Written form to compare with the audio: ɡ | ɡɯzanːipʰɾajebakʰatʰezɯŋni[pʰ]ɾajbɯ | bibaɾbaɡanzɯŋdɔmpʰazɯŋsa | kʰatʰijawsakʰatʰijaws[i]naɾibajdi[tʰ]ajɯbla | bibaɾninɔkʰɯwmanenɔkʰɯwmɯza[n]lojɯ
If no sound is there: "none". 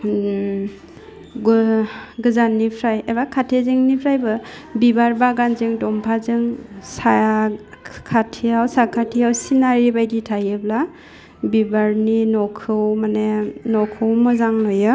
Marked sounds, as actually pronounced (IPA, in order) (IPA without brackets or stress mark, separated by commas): pʰ, i, tʰ, ŋ